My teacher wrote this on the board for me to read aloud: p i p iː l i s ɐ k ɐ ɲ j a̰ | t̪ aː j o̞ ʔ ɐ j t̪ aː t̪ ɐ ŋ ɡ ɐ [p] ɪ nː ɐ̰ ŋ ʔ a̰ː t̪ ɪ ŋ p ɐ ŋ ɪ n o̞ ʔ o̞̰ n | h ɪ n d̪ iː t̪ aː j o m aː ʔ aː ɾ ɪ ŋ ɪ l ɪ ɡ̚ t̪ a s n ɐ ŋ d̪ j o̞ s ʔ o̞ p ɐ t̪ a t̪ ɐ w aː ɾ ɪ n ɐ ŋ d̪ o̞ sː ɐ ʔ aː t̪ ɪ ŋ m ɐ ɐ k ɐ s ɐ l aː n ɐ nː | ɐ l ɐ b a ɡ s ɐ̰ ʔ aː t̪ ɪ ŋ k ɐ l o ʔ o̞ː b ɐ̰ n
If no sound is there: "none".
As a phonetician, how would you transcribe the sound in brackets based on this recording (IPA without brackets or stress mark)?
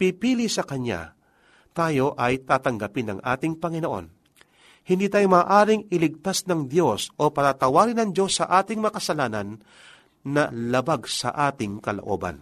p